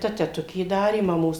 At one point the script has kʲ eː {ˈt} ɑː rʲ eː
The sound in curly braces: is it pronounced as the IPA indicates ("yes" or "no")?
no